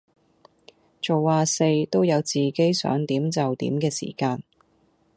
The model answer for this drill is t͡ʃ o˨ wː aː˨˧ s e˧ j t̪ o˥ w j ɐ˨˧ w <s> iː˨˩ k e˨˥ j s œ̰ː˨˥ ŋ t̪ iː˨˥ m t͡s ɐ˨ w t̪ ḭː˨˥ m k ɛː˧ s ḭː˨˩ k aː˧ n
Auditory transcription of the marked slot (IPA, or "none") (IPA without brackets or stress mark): t͡s